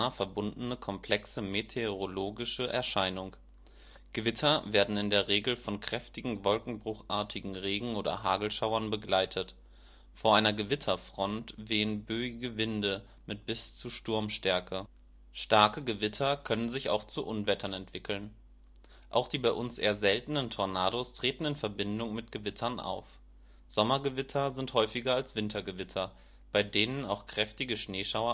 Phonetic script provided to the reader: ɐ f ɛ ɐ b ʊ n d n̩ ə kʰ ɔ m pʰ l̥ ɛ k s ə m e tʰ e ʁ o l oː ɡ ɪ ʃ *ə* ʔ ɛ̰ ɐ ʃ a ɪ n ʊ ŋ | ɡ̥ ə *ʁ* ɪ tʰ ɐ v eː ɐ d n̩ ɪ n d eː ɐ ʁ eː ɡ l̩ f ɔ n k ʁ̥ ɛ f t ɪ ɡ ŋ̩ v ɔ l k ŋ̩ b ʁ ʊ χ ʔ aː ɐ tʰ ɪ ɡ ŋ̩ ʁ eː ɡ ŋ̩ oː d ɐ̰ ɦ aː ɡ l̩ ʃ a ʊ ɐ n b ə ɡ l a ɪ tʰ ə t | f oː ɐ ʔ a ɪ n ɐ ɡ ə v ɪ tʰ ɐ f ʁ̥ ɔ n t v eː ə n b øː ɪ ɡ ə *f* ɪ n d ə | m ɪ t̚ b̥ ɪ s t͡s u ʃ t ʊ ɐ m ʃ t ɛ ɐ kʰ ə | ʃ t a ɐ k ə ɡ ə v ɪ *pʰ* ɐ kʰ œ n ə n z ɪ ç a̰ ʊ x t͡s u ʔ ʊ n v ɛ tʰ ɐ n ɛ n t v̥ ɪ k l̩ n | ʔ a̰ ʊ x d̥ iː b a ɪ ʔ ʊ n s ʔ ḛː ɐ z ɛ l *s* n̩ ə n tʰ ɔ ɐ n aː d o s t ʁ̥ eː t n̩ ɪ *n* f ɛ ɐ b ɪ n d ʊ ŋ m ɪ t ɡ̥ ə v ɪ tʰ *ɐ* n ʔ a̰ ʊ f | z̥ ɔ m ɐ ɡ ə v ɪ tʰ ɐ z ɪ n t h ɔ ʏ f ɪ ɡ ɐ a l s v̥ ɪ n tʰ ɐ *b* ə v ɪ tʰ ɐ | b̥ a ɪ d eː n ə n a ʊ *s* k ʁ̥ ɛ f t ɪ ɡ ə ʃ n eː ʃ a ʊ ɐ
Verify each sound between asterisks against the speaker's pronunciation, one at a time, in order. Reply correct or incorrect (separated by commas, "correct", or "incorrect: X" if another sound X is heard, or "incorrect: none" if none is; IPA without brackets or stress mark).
correct, incorrect: v, incorrect: v, incorrect: tʰ, incorrect: t, correct, correct, incorrect: ɡ, incorrect: x